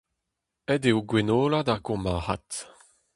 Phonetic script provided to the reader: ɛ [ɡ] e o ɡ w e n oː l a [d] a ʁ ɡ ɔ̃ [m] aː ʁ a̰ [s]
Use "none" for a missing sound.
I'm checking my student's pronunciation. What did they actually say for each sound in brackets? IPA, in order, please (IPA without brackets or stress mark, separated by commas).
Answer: d, d, m, t